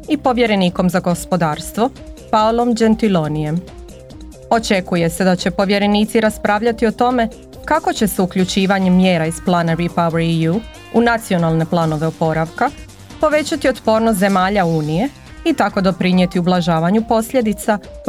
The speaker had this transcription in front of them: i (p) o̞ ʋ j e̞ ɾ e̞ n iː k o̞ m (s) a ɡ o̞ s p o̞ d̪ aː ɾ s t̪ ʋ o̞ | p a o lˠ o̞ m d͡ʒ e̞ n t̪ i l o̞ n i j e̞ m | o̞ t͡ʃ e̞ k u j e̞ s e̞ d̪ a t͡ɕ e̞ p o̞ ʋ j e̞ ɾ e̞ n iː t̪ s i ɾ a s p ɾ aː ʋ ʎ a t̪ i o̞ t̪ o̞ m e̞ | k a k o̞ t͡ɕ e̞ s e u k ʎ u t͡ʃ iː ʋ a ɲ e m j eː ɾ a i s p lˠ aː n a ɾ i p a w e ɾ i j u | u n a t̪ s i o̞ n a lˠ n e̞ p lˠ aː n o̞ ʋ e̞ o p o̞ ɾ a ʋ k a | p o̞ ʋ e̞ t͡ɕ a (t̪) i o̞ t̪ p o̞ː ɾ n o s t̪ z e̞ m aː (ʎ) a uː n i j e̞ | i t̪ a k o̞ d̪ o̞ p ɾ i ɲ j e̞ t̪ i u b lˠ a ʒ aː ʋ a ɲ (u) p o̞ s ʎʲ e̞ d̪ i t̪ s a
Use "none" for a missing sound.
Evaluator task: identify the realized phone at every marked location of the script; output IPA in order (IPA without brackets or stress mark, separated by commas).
p, z, t̪, ʎ, u